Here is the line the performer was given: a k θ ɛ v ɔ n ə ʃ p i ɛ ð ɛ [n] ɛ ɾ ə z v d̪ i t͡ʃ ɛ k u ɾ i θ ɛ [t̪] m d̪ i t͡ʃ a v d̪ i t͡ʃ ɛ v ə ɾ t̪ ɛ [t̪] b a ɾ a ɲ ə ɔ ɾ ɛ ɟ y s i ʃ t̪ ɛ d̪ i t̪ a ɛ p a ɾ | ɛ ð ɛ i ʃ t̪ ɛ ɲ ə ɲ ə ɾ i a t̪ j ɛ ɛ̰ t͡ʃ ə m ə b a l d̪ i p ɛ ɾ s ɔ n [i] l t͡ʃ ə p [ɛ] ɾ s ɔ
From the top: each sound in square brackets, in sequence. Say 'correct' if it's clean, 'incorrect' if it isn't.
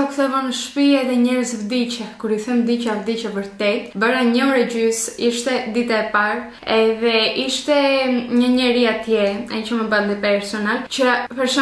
incorrect: ɲ, incorrect: none, correct, incorrect: a, correct

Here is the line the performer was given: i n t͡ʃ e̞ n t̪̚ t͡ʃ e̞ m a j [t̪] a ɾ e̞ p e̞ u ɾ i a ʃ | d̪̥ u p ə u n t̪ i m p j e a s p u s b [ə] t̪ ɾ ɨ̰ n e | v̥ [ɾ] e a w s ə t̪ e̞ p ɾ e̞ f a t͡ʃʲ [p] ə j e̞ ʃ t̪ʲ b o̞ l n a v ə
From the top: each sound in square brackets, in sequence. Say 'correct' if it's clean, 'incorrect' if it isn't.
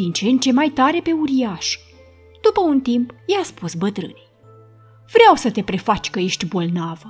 correct, correct, correct, incorrect: k

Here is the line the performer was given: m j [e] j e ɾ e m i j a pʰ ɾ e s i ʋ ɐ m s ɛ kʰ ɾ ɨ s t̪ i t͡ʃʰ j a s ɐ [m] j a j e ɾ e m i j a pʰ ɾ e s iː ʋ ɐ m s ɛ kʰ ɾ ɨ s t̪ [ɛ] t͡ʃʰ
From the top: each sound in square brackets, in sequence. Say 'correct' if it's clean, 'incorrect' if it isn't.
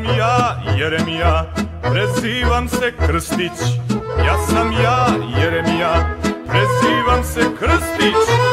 incorrect: a, correct, incorrect: i

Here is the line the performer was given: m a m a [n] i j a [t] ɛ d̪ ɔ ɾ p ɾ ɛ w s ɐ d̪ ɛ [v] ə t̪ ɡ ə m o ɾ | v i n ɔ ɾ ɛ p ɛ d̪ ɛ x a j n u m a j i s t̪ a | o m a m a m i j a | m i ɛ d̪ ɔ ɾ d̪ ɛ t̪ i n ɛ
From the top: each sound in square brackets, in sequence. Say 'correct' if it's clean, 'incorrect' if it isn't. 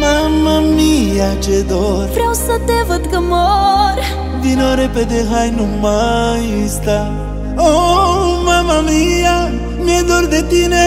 incorrect: m, incorrect: t͡ʃ, correct

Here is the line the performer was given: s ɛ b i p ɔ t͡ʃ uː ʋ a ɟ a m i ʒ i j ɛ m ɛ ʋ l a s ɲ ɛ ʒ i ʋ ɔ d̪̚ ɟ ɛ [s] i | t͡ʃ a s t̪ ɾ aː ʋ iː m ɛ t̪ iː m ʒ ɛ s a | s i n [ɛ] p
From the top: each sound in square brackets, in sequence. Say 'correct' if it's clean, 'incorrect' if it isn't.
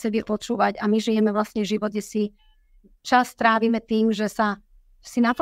correct, incorrect: a

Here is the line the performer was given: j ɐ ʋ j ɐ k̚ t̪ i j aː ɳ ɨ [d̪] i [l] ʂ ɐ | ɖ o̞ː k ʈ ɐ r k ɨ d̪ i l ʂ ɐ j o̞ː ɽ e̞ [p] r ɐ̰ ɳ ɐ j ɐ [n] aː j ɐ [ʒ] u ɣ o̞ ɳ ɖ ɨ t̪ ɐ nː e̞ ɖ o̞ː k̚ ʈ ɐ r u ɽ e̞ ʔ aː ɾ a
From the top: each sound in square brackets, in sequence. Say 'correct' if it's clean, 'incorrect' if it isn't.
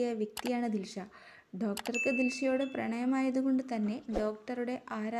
correct, correct, correct, incorrect: m, incorrect: ð

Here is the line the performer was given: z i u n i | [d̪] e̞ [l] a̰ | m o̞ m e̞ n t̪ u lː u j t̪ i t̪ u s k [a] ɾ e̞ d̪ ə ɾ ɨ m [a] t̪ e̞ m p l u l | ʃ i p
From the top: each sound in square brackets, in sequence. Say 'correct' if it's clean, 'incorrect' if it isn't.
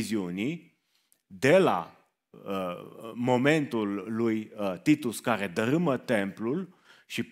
correct, correct, correct, incorrect: ə

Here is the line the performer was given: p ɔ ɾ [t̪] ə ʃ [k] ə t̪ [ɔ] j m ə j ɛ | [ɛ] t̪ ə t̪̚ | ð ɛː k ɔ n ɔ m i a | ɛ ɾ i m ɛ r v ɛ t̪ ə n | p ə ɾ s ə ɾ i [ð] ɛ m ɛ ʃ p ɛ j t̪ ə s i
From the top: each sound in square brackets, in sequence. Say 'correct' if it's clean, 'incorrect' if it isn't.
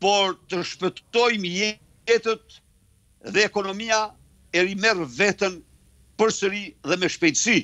correct, incorrect: p, correct, correct, correct

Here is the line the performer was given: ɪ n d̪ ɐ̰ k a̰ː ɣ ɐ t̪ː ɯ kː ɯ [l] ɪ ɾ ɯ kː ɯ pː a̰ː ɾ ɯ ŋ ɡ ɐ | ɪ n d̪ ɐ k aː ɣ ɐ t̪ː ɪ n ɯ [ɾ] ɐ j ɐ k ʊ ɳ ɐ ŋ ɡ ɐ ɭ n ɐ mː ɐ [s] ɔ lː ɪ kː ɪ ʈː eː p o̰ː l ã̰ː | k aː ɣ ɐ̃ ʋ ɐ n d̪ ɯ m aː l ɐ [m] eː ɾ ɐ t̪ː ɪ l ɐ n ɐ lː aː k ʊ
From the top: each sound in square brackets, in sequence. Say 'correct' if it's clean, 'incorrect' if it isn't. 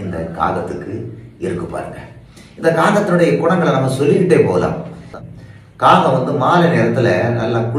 incorrect: none, incorrect: ɽ, correct, incorrect: n

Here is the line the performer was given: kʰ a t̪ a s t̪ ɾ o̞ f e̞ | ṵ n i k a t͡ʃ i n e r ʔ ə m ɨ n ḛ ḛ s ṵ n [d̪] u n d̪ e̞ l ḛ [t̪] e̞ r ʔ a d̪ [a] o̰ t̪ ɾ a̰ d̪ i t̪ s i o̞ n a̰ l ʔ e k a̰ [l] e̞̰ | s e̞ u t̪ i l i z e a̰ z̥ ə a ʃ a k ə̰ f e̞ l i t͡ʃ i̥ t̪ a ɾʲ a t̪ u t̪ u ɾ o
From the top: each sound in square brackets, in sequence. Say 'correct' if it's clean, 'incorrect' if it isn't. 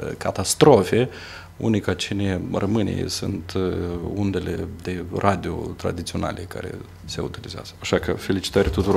incorrect: t̪, incorrect: d̪, incorrect: i, incorrect: ɾ

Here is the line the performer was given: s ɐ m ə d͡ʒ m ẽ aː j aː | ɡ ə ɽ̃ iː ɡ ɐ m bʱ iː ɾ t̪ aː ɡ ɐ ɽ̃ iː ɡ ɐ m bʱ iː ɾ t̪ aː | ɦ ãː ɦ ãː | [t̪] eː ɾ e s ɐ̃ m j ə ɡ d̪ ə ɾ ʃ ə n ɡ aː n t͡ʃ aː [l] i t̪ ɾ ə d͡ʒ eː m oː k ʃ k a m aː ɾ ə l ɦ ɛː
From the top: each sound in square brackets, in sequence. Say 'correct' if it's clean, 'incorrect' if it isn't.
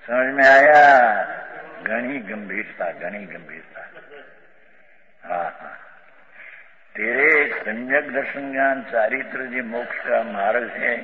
correct, incorrect: ɾ

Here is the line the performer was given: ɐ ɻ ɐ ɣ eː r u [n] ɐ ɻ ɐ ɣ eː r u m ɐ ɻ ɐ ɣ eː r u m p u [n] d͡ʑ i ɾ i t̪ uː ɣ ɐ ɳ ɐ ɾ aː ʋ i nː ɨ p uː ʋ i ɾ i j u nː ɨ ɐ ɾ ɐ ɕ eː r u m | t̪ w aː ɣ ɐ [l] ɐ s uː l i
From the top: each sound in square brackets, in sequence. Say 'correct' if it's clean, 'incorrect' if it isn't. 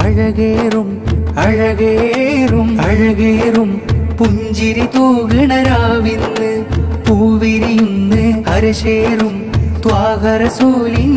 incorrect: m, incorrect: ɲ, incorrect: ɾ

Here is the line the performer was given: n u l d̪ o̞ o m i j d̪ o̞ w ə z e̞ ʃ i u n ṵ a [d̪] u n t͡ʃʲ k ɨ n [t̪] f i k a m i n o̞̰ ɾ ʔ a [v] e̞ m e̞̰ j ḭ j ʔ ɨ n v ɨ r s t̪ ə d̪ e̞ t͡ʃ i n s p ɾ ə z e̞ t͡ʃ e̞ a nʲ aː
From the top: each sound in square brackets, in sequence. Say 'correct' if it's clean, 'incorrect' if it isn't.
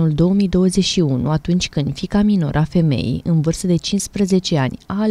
incorrect: t̪, incorrect: d̪, incorrect: f

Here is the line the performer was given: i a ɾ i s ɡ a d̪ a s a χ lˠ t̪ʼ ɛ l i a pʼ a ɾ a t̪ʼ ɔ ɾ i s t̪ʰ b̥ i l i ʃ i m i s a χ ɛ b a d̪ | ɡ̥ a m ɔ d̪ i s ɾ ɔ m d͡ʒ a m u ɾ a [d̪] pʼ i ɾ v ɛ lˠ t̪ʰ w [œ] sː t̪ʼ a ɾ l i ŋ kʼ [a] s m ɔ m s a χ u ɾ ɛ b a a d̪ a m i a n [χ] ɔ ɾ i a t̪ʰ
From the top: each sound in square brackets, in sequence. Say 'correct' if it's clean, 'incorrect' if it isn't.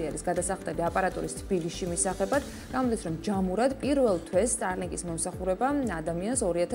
correct, incorrect: ɛ, incorrect: i, incorrect: s

